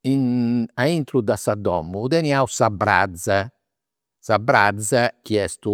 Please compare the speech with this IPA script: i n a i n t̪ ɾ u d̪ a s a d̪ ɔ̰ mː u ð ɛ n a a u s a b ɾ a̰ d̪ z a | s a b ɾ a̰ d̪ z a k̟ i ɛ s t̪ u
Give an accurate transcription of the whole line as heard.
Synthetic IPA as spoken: i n a i n t̪ ɾ u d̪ a s a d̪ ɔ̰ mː u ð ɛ n i a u s a b ɾ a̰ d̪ z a | s a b ɾ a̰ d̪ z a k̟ i ɛ s t̪ u